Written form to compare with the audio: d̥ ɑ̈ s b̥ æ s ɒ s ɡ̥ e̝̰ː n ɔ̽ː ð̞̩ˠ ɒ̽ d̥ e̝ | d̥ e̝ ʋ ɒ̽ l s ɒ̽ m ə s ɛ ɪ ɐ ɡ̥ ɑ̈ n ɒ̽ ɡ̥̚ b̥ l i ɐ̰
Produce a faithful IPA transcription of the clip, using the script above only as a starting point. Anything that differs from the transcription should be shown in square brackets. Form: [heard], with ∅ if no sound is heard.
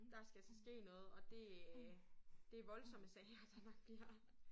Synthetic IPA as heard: d̥ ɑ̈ s [ɡ̥] æ s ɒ s ɡ̥ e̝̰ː n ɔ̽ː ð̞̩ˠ ɒ̽ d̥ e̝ | d̥ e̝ ʋ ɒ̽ l s ɒ̽ m ə s ɛ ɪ ɐ [d̥] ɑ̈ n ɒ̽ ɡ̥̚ b̥ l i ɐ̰